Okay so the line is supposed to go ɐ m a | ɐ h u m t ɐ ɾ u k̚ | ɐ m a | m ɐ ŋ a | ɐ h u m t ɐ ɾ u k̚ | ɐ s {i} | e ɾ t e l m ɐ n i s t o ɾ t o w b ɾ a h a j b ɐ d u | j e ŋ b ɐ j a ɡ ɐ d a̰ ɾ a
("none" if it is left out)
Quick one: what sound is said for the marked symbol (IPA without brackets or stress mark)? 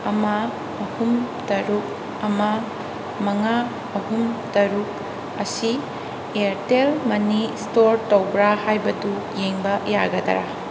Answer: i